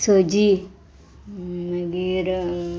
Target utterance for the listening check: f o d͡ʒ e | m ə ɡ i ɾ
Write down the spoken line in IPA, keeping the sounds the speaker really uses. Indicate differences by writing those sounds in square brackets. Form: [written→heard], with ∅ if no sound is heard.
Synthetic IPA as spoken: [f→s] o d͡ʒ [e→i] | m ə ɡ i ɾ

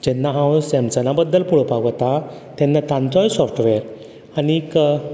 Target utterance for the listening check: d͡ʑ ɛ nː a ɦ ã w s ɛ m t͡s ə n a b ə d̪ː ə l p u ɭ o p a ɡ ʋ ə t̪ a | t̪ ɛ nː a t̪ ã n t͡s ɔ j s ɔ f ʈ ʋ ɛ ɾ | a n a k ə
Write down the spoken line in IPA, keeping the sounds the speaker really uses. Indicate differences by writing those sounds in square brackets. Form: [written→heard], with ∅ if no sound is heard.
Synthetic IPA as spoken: d͡ʑ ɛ nː a ɦ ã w s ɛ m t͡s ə n a b ə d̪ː ə l p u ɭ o p a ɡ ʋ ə t̪ a | t̪ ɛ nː a t̪ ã n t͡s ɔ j s ɔ f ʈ ʋ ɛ ɾ | a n [a→i] k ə

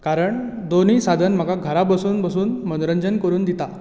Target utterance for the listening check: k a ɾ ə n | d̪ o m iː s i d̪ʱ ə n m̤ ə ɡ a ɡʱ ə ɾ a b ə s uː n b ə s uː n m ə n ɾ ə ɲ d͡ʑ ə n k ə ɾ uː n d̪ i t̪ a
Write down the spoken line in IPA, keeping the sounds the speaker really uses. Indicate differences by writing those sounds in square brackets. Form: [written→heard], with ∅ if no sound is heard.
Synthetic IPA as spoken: k a ɾ ə [n→ɳ] | d̪ o [m→n] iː s [i→a] d̪ʱ ə n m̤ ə ɡ a ɡʱ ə ɾ a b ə s uː n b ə s uː n m ə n ɾ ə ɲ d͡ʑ ə n k ə ɾ uː n d̪ i t̪ a

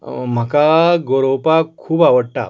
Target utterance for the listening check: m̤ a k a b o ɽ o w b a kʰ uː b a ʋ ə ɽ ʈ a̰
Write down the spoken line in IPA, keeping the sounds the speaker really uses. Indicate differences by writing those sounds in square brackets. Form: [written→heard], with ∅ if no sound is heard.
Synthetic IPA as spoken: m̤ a k a [b→ɡ] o [ɽ→ɾ] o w [b→p] a kʰ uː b a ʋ ə ɽ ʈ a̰

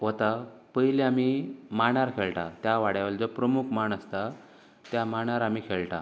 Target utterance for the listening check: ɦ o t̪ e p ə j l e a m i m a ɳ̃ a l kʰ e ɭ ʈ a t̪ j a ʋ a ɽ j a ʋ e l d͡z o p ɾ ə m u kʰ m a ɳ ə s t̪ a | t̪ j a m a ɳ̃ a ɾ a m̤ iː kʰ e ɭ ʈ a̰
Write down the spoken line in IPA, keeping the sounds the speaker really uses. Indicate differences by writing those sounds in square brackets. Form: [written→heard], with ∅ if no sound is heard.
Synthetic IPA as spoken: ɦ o t̪ [e→a] p ə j l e a m i m a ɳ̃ a [l→ɾ] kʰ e ɭ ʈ a t̪ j a ʋ a ɽ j a ʋ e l d͡z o p ɾ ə m u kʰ m a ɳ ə s t̪ a | t̪ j a m a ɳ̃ a ɾ a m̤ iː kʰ e ɭ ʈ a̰

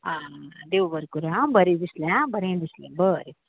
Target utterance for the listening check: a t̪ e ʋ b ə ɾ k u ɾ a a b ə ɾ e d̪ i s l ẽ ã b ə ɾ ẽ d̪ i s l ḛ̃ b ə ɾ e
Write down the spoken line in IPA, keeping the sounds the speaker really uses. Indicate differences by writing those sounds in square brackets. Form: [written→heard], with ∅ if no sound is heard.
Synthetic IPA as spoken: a [t̪→d̪] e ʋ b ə ɾ k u ɾ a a b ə ɾ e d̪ i s l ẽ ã b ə ɾ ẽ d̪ i s l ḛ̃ b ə ɾ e

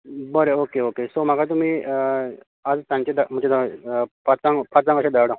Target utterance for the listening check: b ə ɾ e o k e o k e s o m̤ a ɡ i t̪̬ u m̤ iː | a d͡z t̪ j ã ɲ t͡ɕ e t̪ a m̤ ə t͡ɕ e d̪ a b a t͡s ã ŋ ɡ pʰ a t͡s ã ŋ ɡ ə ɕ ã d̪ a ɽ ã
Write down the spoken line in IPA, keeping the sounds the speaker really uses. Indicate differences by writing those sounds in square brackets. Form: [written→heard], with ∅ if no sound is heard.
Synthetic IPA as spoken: b ə ɾ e o k e o k e s o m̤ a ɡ [i→a] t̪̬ u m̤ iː | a d͡z t̪ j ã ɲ t͡ɕ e [t̪→d̪] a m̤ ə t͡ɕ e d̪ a [b→p] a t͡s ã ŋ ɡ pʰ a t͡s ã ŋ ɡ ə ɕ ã d̪ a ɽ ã

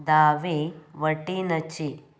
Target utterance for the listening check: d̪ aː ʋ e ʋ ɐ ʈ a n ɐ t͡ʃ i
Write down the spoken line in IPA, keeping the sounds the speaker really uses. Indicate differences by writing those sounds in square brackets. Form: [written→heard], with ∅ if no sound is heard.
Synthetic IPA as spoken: d̪ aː ʋ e ʋ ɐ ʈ [a→i] n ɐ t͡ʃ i

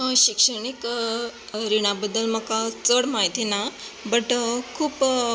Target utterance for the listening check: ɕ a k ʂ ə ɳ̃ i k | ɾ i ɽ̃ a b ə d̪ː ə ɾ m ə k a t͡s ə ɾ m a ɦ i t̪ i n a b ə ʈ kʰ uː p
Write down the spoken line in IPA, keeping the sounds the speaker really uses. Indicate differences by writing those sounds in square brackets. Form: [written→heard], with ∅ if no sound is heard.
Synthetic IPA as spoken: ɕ [a→i] k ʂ ə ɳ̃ i k | ɾ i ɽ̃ a b ə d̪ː ə [ɾ→l] m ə k a t͡s ə [ɾ→ɽ] m a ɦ i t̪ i n a b ə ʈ kʰ uː p

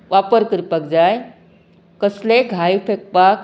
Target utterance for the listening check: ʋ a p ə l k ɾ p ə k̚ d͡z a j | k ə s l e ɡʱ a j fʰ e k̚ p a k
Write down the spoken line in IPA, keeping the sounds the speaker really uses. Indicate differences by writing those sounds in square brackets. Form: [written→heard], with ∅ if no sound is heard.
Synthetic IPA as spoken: ʋ a p ə [l→ɾ] k ɾ p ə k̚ d͡z a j | k ə s l e ɡʱ a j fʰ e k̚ p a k

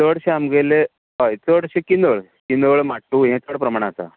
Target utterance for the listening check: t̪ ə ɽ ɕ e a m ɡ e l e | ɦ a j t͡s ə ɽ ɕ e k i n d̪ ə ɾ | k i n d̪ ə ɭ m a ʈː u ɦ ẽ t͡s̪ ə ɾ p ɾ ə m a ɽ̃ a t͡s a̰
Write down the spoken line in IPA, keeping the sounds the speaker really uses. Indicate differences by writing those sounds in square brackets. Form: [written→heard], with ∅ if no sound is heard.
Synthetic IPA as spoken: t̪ ə ɽ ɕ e a m ɡ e l e | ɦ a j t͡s ə ɽ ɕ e k i n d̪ ə [ɾ→ɭ] | k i n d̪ ə ɭ m a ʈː u ɦ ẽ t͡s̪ ə [ɾ→ɽ] p ɾ ə m a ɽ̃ a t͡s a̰

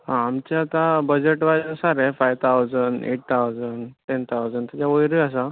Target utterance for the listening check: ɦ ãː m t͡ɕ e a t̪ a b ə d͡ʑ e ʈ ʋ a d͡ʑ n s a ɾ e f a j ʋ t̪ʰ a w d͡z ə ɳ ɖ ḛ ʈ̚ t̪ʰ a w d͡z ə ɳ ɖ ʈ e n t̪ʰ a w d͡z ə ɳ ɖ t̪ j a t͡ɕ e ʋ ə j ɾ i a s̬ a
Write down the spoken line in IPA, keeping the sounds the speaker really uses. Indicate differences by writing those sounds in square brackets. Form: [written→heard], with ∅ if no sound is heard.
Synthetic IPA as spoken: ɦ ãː m t͡ɕ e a t̪ a b ə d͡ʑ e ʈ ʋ a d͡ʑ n s a ɾ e f a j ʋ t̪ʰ a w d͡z ə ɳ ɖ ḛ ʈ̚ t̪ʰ a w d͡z ə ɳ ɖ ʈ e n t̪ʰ a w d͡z ə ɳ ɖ t̪ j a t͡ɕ [e→a] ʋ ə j ɾ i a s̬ a

